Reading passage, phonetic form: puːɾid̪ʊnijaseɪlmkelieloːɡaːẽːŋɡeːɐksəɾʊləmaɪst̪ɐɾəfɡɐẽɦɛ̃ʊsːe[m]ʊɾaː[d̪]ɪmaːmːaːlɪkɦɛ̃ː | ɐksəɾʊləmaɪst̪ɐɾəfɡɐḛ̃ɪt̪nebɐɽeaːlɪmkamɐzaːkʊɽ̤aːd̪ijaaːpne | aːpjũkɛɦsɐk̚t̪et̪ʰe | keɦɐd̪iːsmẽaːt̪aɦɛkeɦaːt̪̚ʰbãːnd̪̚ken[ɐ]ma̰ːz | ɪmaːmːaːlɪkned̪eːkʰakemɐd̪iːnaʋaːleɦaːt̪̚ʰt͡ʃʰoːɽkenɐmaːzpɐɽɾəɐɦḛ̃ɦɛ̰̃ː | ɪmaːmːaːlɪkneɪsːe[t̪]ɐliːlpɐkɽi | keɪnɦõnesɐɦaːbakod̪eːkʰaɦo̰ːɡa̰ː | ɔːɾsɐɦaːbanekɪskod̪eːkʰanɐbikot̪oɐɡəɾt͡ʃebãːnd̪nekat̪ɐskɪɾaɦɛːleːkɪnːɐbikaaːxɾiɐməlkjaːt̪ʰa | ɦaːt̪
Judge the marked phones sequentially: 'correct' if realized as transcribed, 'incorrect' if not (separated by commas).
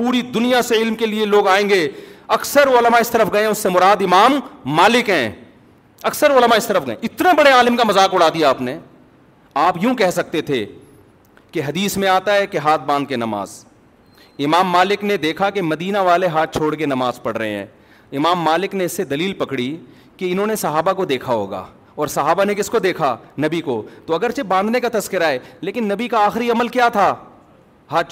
correct, correct, correct, incorrect